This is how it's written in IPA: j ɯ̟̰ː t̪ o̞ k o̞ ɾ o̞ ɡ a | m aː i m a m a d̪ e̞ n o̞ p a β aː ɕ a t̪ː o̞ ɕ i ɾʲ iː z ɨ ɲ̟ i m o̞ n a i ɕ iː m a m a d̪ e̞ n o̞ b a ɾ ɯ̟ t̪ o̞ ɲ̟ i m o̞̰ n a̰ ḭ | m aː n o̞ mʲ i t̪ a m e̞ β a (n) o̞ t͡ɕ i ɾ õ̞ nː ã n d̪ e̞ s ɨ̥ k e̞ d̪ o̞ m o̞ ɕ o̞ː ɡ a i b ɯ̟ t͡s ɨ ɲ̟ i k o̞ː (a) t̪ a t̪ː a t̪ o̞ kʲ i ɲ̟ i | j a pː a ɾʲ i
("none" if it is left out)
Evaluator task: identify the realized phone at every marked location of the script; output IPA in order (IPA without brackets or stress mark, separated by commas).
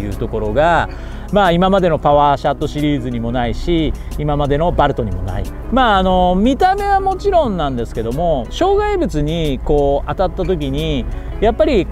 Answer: m, a